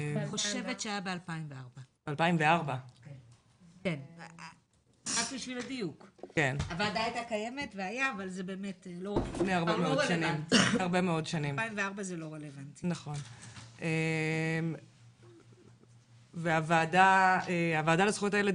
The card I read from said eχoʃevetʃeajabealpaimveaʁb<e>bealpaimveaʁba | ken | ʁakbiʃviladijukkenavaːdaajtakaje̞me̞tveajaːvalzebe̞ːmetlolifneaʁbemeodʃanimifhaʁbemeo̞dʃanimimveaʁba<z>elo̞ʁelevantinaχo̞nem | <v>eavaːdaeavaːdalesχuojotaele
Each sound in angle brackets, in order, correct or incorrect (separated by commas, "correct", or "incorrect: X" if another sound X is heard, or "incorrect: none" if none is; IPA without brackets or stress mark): incorrect: a, correct, correct